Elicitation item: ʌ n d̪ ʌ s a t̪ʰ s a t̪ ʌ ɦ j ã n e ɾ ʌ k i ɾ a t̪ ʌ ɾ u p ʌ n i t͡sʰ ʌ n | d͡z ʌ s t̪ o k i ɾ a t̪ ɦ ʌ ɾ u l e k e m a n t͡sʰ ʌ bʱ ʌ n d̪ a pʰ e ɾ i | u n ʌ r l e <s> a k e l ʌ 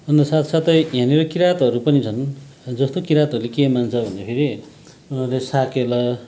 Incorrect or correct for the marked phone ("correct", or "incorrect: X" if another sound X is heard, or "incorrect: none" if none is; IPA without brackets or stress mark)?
correct